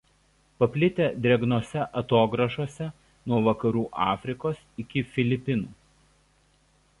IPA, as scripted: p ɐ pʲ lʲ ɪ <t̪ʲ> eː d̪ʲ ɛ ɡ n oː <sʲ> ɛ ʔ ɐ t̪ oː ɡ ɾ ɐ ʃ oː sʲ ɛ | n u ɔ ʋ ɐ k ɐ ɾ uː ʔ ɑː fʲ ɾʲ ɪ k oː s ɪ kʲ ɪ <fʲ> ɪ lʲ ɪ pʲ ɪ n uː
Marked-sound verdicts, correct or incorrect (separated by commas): correct, correct, correct